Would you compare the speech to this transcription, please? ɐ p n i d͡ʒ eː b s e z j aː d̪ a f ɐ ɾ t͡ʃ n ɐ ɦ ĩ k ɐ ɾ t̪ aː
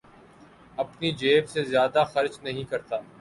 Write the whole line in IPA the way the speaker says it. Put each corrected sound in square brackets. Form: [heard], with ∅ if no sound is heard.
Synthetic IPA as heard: ɐ p n i d͡ʒ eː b s e z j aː d̪ a [x] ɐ ɾ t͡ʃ n ɐ ɦ ĩ k ɐ ɾ t̪ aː